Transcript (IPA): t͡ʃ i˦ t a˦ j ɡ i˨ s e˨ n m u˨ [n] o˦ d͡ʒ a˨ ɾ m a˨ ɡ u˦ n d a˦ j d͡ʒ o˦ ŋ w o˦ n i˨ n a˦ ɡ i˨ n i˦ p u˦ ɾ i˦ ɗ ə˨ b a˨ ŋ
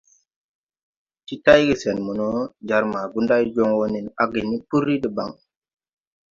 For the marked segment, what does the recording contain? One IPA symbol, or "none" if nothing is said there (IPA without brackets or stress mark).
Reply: n